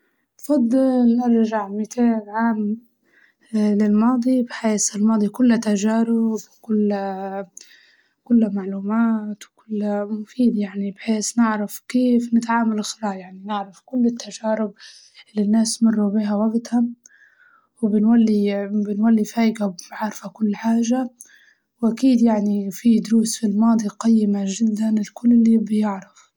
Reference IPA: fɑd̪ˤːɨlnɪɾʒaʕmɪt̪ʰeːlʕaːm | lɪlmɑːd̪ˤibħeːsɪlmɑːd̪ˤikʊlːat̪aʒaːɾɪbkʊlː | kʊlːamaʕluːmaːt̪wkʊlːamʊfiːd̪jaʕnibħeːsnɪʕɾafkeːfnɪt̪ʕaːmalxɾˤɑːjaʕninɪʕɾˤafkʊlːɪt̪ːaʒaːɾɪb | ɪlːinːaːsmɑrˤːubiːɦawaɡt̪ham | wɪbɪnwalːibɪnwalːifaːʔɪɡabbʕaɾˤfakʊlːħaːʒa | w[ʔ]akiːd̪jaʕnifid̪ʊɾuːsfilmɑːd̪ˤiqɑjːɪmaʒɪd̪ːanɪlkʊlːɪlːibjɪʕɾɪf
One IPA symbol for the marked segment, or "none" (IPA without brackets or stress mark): ʔ